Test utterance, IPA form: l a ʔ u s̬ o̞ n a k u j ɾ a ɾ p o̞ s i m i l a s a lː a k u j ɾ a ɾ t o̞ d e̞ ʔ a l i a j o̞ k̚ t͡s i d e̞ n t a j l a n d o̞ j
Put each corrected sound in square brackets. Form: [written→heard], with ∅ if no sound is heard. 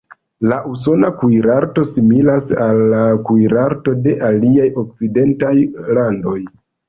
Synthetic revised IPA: l a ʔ u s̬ o̞ n a k u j ɾ a ɾ [p→t] o̞ s i m i l a s a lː a k u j ɾ a ɾ t o̞ d e̞ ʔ a l i a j o̞ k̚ t͡s i d e̞ n t a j l a n d o̞ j